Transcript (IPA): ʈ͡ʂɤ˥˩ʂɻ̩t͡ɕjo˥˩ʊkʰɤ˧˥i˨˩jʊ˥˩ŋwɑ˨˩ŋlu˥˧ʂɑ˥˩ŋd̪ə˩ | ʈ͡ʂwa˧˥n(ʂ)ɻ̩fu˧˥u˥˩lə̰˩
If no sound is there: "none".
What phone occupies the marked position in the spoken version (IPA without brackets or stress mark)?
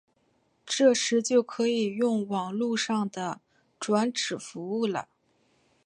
ʈ͡ʂ